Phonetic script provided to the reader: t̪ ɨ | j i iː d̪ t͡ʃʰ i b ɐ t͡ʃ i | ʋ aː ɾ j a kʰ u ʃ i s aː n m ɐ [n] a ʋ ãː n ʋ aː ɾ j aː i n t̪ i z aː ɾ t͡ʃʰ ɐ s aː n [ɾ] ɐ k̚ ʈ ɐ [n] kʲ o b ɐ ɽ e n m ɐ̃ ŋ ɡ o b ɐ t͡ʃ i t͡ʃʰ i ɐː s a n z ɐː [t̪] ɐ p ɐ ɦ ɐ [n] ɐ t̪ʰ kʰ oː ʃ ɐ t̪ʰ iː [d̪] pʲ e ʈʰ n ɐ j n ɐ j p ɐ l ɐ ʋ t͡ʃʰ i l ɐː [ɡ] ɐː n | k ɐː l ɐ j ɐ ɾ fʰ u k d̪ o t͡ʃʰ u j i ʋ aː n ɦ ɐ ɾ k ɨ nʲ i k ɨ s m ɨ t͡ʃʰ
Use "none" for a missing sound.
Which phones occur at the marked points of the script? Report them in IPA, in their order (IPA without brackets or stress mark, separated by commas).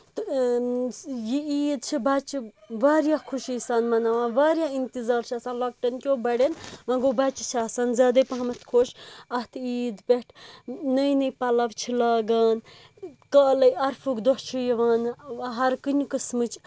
n, l, n, d̪, m, d̪, ɡ